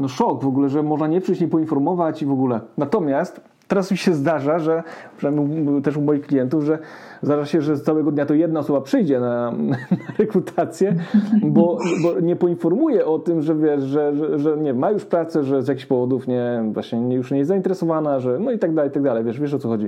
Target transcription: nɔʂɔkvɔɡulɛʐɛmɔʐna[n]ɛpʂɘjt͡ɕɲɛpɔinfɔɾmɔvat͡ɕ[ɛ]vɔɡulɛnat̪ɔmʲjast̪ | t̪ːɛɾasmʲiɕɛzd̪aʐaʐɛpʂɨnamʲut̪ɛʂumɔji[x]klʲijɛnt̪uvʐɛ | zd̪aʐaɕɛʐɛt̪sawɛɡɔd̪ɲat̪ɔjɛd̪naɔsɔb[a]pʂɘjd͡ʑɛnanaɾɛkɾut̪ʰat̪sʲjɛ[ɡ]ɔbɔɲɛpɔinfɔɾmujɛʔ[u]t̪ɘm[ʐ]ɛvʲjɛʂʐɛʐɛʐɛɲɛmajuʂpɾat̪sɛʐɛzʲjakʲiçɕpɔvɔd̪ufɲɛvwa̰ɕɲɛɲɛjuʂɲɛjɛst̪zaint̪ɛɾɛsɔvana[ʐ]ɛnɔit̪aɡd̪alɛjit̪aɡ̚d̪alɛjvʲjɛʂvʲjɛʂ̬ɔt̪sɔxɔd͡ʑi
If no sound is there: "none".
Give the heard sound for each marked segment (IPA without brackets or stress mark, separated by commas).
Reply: ɲ, i, x, a, b, ɔ, ʐ, ʐ